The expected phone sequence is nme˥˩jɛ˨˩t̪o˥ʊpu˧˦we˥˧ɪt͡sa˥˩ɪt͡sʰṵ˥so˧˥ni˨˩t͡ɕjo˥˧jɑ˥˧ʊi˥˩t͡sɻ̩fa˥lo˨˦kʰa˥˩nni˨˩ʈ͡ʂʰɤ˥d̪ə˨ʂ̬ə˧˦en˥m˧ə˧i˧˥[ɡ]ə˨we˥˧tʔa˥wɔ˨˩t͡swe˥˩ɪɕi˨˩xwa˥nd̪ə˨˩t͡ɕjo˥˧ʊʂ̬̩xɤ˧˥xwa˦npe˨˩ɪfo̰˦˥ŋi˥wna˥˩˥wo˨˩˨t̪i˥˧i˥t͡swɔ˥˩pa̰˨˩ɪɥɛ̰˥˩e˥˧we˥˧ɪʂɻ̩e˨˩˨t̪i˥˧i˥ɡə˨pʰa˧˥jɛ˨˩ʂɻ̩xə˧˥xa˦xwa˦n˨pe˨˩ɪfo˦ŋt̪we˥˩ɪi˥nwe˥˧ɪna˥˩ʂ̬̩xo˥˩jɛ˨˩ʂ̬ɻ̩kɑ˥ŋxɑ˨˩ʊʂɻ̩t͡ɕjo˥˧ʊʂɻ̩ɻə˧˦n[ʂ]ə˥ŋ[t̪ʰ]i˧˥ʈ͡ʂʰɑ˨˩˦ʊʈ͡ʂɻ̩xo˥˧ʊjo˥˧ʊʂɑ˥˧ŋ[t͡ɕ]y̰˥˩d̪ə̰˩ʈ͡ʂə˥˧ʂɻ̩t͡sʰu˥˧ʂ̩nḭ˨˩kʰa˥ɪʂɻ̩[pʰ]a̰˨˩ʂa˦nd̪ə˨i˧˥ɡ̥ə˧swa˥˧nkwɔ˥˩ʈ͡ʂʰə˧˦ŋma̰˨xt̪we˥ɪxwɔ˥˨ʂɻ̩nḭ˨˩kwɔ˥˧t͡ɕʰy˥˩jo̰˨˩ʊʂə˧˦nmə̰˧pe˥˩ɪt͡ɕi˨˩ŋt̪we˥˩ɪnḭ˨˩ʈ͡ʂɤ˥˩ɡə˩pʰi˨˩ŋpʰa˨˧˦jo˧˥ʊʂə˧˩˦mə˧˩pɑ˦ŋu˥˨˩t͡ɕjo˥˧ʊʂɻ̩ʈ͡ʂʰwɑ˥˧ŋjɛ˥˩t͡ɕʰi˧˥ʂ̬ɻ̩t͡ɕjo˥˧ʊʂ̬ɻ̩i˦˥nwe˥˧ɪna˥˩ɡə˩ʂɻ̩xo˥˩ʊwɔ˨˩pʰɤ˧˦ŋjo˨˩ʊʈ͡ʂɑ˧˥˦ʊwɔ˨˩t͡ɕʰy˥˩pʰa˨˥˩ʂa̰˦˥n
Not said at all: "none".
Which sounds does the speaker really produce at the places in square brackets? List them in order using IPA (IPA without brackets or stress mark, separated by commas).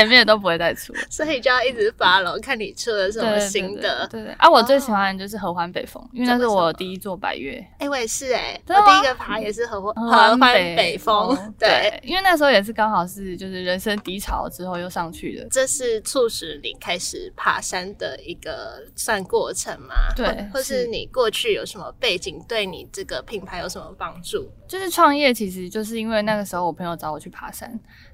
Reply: ŋ, ʂ, t̪, t͡ɕʰ, pʰ